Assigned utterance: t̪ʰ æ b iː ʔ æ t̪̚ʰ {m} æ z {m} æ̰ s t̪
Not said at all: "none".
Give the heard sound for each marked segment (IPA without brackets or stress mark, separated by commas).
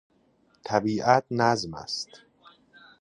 n, m